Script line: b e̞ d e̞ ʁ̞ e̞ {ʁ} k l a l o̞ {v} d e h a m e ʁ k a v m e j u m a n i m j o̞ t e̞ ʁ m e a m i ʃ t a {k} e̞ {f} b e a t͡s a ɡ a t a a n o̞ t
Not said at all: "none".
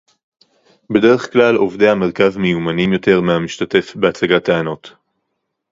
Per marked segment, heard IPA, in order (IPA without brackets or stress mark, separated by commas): χ, v, t, f